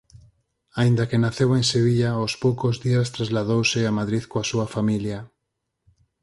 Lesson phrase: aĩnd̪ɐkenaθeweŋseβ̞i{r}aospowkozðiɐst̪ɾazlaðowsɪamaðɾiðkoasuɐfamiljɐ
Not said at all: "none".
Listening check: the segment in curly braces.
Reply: ʎ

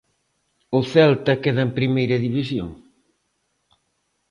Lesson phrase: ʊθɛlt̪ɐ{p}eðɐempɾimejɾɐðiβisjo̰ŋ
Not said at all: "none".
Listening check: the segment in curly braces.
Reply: k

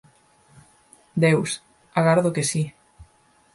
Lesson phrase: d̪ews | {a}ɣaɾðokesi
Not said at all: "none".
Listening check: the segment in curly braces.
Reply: a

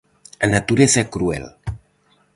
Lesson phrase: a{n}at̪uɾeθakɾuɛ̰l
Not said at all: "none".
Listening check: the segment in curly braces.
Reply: n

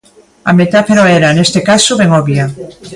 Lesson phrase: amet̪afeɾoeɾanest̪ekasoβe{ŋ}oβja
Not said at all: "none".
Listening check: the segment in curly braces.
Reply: ŋ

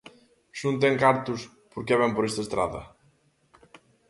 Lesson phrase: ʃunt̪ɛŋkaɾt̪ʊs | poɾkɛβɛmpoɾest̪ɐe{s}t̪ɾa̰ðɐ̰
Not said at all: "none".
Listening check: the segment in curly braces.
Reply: s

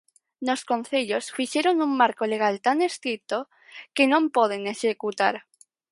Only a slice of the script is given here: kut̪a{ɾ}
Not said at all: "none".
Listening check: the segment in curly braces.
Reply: ɾ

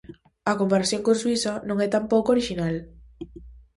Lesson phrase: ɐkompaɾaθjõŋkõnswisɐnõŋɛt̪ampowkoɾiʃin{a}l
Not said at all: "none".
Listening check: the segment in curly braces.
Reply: a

